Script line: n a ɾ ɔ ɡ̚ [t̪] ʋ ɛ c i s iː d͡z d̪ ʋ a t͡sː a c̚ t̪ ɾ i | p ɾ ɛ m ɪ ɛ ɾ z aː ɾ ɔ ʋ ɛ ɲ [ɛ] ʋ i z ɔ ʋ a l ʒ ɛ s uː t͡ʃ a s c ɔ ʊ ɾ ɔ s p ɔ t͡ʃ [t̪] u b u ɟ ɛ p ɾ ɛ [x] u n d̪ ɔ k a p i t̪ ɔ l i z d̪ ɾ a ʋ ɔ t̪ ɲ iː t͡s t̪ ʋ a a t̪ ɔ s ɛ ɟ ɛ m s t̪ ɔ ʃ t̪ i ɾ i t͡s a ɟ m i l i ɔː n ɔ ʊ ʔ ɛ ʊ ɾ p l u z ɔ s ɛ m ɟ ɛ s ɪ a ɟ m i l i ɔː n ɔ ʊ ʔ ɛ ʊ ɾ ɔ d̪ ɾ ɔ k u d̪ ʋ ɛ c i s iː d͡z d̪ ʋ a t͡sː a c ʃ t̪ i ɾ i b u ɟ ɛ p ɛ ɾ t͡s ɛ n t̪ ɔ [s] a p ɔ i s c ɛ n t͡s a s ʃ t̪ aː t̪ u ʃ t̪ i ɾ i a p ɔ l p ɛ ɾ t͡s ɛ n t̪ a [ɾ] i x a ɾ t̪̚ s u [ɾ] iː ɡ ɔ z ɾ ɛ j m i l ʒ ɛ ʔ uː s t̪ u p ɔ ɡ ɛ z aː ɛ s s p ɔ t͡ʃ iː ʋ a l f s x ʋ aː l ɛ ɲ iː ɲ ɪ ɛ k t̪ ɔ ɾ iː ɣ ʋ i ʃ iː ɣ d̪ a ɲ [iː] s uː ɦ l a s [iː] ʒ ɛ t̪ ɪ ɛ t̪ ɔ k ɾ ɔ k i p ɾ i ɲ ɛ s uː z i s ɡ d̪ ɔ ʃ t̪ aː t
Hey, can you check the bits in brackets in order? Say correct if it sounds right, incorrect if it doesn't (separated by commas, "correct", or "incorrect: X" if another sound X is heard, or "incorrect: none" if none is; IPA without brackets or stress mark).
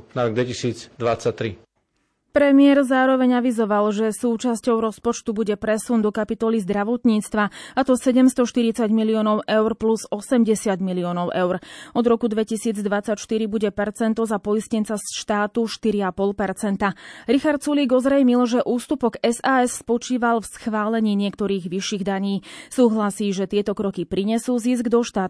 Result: incorrect: d̪, incorrect: a, correct, incorrect: s, incorrect: z, correct, incorrect: l, correct, correct